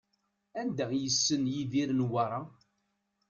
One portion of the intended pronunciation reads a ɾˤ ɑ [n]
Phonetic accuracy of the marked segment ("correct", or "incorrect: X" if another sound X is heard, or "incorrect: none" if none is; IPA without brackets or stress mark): incorrect: none